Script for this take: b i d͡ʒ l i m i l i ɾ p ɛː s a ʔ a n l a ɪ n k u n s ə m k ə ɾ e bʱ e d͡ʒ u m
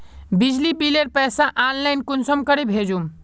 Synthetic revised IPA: b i d͡ʒ l i b i l e ɾ p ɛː s a ʔ a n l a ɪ n k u n s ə m k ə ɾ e bʱ e d͡ʒ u m

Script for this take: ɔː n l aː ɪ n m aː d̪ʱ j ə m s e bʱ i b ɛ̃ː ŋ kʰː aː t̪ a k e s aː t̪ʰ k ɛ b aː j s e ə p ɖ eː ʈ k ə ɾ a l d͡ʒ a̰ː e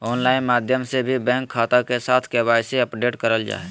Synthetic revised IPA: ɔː n l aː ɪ n m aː d̪ʱ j ə m s e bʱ i b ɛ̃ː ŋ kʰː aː t̪ a k e s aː t̪ʰ k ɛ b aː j s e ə p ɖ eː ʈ k ə ɾ ə l d͡ʒ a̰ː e

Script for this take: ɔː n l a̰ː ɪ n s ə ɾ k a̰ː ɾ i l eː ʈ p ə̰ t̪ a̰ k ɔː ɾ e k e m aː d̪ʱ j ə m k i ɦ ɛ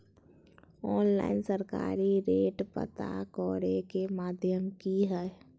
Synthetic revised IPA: ɔː n l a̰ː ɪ n s ə ɾ k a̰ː ɾ i ɾ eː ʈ p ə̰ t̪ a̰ k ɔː ɾ e k e m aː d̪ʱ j ə m k i ɦ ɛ

